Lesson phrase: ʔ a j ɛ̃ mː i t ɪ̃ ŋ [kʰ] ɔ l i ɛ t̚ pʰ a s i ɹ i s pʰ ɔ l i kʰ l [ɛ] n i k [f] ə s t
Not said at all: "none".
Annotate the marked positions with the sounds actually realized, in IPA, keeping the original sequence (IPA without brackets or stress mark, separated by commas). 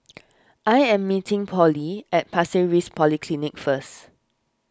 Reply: pʰ, i, f